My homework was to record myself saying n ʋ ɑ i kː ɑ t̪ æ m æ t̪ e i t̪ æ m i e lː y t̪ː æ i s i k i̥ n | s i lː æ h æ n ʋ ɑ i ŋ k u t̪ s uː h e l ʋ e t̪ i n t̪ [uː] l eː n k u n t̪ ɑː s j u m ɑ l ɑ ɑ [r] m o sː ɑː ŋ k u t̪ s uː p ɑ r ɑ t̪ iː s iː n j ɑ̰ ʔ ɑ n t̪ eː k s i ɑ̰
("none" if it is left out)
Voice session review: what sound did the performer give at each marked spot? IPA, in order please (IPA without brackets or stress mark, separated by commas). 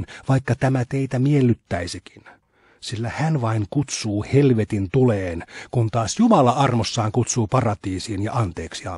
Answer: u, r